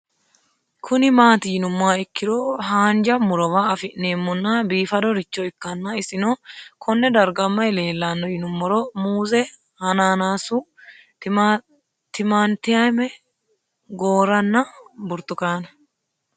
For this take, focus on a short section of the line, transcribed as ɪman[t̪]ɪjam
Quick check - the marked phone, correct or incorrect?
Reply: correct